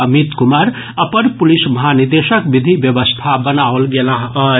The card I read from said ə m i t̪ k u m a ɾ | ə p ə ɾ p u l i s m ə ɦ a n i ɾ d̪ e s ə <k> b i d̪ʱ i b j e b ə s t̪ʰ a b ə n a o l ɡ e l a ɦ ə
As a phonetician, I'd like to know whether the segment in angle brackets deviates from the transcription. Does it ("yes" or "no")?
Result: no